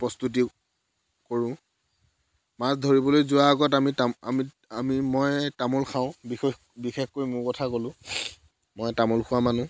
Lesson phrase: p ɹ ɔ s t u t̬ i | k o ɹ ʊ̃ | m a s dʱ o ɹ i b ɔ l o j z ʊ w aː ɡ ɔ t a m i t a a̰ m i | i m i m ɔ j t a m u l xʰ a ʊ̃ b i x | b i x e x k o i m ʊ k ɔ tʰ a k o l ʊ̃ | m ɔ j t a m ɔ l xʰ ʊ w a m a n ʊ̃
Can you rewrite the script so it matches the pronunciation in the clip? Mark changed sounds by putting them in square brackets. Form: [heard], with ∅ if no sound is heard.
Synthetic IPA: p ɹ ɔ s t u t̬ i | k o ɹ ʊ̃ | m a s dʱ o ɹ i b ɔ l o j z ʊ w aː ɡ ɔ t a m i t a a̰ m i | [a] m i m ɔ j t a m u l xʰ a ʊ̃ b i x | b i x e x k o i m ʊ k ɔ tʰ a k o l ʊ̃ | m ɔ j t a m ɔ l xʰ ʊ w a m a n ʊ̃